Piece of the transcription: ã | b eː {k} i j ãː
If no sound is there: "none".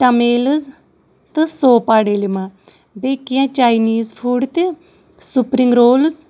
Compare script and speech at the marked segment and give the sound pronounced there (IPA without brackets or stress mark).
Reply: k